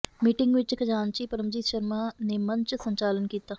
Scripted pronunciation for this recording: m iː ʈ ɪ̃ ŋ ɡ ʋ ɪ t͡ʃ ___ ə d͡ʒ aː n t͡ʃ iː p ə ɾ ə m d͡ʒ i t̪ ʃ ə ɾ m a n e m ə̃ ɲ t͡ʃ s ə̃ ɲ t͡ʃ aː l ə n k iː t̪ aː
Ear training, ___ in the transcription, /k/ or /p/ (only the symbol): k